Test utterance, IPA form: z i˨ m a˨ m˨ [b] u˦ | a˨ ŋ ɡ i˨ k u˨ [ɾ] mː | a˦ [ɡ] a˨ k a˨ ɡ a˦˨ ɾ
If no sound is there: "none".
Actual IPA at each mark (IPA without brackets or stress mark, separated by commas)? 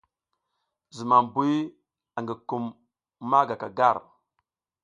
b, none, ɡ